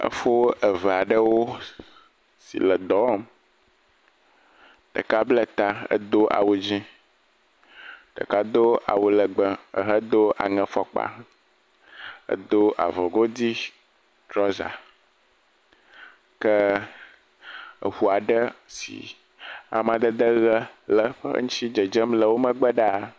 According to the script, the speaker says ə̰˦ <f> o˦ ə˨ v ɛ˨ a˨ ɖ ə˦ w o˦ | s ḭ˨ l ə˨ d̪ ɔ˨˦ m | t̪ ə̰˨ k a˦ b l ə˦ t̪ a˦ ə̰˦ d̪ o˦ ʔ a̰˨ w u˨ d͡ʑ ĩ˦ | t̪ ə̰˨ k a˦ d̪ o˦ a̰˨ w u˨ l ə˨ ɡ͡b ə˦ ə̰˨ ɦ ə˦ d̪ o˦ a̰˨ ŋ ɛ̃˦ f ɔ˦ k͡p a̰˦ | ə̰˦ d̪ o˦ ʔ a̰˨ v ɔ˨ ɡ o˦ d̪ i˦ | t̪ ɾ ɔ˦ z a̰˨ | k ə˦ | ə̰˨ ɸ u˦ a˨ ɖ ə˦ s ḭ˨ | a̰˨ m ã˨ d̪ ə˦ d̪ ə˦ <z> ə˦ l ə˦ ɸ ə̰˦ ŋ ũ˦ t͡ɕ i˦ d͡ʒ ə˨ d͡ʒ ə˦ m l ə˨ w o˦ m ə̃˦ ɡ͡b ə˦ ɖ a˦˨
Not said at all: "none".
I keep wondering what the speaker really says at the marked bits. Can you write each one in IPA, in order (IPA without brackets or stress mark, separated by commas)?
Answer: f, ɣ